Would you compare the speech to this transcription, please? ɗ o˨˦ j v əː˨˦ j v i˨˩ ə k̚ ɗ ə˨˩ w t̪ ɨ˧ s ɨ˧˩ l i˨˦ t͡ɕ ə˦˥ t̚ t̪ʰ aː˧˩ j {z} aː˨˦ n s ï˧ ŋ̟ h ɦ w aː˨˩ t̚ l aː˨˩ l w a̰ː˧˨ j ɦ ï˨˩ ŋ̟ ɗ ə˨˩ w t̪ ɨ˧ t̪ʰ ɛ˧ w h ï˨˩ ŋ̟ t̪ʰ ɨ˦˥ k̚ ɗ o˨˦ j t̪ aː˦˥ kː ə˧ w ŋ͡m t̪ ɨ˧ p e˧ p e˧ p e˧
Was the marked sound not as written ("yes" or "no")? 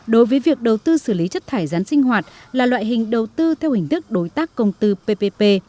no